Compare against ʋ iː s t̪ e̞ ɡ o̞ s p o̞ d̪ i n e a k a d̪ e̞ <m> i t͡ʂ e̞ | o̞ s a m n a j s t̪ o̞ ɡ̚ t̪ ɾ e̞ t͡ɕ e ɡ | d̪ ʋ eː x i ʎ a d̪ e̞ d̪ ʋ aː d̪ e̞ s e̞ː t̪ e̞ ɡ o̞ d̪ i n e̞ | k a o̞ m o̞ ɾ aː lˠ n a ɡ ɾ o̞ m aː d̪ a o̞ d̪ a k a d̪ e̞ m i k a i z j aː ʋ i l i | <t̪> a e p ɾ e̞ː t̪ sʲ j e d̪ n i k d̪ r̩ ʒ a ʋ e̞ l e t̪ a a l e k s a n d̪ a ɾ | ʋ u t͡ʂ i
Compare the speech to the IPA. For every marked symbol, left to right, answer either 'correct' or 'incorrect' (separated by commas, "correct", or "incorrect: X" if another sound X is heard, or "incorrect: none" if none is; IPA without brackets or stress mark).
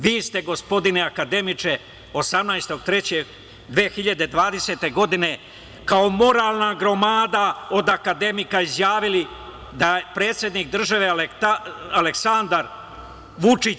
correct, incorrect: d̪